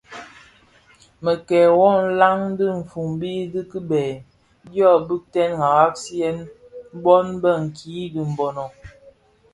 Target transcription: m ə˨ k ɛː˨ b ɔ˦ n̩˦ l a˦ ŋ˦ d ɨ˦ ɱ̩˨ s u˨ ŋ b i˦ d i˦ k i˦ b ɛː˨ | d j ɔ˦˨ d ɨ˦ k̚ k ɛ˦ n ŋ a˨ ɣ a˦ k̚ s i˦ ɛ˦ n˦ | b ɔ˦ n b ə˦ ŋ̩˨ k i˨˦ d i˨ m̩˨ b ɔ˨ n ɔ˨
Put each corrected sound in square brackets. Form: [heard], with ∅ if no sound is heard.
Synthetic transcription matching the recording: m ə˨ k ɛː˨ [w] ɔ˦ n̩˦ l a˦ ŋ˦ d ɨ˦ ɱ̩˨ [f] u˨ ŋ b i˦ d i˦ k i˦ b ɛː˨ | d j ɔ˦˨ [b] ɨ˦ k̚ [t] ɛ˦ n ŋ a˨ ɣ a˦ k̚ s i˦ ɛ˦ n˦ | b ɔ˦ n b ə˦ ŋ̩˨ k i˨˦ d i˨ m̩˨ b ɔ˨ n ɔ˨